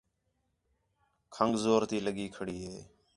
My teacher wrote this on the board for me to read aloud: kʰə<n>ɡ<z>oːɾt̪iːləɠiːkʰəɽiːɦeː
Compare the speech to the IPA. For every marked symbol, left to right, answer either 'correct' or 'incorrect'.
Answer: incorrect, correct

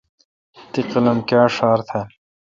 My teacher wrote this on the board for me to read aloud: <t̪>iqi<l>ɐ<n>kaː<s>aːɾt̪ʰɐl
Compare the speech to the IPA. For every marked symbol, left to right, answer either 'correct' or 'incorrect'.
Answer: correct, correct, incorrect, incorrect

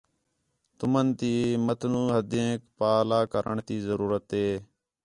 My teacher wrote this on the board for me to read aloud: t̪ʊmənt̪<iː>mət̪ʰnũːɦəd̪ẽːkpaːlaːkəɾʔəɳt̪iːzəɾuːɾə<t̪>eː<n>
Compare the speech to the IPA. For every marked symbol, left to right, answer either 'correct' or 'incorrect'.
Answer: correct, correct, incorrect

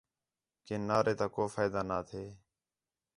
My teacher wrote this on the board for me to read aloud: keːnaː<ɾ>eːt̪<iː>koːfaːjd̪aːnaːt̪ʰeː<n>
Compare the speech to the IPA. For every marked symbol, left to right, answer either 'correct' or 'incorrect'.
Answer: correct, incorrect, incorrect

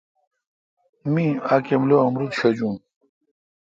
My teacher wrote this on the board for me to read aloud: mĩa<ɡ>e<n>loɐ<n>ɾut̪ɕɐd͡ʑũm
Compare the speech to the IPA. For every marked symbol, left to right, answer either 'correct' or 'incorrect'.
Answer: incorrect, incorrect, incorrect

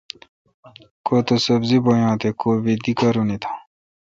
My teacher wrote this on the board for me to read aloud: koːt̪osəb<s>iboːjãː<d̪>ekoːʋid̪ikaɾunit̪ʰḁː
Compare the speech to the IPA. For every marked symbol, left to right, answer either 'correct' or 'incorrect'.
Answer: incorrect, incorrect

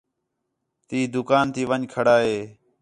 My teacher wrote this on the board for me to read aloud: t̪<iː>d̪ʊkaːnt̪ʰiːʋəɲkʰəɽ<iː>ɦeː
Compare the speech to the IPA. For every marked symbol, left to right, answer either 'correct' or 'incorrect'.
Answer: correct, incorrect

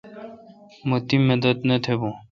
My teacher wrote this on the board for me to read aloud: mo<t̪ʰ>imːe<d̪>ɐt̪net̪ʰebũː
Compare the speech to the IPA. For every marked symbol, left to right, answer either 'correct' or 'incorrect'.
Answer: incorrect, correct

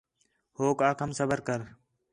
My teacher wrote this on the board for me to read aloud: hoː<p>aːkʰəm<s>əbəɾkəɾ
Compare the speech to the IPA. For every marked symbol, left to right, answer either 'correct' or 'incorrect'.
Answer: incorrect, correct

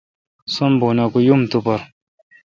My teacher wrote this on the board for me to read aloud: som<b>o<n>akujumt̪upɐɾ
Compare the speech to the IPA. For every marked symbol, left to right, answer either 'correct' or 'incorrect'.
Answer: correct, correct

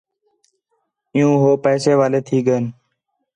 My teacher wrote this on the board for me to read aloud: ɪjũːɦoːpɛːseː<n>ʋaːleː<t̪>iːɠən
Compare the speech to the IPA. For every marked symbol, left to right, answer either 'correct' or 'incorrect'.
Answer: incorrect, incorrect

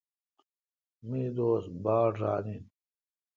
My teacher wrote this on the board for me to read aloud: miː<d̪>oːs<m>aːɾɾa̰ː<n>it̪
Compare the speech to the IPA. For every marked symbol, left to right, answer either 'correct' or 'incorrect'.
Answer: correct, incorrect, correct

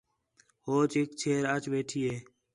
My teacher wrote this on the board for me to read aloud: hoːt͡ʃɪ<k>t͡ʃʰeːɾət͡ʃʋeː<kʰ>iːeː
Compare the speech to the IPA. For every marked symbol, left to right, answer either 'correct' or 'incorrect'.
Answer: correct, incorrect

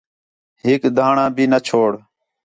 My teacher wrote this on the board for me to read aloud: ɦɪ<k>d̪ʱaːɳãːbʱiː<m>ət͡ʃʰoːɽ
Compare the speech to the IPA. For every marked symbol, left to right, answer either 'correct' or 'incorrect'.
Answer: correct, incorrect

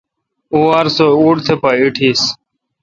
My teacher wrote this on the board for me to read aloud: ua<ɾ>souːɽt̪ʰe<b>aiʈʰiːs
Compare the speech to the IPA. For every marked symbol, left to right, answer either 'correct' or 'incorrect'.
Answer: correct, incorrect

